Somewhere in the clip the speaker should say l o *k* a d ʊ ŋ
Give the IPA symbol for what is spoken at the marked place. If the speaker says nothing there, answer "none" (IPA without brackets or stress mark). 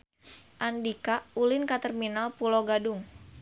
ɡ